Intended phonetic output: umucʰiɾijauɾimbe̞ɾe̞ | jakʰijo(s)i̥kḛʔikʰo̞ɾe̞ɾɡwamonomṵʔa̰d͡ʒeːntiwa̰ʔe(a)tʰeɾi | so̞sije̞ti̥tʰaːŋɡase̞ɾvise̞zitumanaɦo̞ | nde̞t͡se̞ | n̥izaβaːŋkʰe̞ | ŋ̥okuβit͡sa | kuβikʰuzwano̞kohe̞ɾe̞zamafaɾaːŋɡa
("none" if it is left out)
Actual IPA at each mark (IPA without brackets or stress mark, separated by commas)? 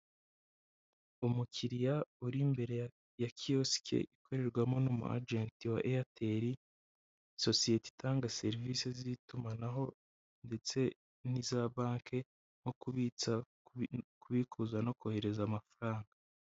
s, a